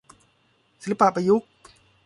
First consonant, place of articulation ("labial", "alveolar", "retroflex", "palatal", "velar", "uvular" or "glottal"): alveolar